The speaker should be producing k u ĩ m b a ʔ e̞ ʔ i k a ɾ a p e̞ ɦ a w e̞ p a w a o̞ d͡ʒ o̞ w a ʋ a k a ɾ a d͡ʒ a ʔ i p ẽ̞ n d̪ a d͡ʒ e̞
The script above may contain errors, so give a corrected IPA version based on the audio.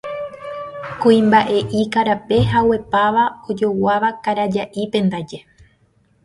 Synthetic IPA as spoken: k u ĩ m b a ʔ e̞ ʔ i k a ɾ a p e̞ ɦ a w e̞ p a ʋ a o̞ d͡ʒ o̞ w a ʋ a k a ɾ a d͡ʒ a ʔ i p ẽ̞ n d̪ a d͡ʒ e̞

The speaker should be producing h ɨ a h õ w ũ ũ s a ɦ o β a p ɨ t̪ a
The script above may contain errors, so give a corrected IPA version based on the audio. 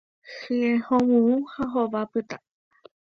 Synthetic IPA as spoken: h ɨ e h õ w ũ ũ h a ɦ o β a p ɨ t̪ a

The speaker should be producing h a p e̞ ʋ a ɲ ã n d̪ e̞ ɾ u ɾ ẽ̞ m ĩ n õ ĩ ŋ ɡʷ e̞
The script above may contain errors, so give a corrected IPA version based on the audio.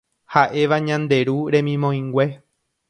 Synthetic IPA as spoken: h a ʔ e̞ ʋ a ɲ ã n d̪ e̞ ɾ u ɾ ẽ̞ m ĩ m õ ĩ ŋ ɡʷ e̞

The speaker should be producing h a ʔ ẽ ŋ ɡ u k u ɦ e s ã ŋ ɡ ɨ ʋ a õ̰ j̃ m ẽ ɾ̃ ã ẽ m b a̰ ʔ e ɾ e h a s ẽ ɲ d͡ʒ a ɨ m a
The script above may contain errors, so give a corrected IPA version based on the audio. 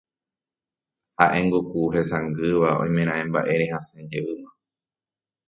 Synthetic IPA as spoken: h a ʔ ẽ ŋ ɡ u k u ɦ e s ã ŋ ɡ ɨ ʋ a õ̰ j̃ m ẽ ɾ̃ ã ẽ m b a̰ ʔ e ɾ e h a s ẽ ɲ d͡ʒ e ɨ m a

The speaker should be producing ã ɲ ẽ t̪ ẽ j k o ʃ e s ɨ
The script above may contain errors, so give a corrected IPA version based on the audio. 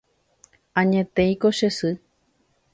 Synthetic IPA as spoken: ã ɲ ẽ t̪ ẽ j k o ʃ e s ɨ

